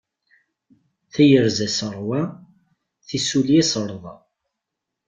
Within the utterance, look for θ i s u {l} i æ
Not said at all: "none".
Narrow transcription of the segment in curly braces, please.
l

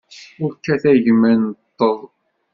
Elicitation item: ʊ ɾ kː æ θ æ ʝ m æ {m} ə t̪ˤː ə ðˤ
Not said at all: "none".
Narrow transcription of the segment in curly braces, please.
n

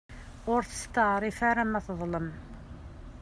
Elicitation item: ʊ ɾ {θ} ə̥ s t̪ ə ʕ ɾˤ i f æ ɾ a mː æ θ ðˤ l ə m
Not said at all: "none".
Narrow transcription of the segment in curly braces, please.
θ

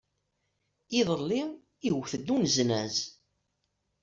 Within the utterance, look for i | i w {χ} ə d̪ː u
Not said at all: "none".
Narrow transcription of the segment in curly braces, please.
θ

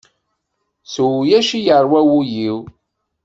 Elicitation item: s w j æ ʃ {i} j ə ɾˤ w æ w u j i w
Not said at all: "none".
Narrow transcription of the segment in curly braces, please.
i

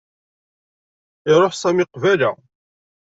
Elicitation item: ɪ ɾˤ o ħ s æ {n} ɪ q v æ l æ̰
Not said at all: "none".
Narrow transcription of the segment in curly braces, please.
m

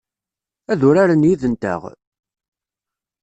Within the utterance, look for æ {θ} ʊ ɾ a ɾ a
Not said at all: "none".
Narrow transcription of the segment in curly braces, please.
ð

